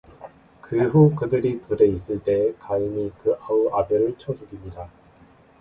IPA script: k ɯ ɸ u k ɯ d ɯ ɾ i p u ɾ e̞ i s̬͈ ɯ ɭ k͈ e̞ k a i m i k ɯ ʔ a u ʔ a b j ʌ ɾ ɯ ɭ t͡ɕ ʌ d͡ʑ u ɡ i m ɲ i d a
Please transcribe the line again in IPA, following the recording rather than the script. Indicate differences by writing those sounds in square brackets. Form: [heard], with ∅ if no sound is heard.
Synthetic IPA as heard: k ɯ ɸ u k ɯ d ɯ ɾ i p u ɾ e̞ i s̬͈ ɯ ɭ [t͈] e̞ k a i m i k ɯ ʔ a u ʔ a b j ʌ ɾ ɯ ɭ [t͡ɕʰ] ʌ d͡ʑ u ɡ i m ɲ i d a